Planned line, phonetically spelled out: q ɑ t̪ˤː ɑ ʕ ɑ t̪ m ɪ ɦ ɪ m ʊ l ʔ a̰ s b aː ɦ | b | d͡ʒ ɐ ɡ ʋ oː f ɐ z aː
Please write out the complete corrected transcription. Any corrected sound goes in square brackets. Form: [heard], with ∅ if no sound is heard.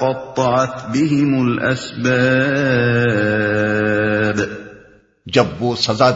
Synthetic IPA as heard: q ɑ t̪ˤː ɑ ʕ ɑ t̪ [b] ɪ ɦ ɪ m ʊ l ʔ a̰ s b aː [∅] | b | d͡ʒ ɐ [b] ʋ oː [s] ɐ z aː